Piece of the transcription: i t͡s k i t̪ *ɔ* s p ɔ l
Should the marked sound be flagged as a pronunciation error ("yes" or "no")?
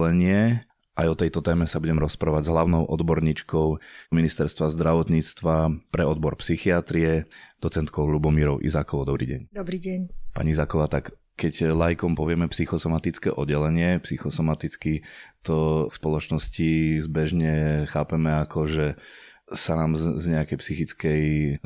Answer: no